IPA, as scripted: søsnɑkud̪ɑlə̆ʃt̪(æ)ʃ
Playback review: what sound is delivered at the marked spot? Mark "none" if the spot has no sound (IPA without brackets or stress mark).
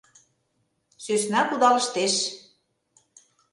e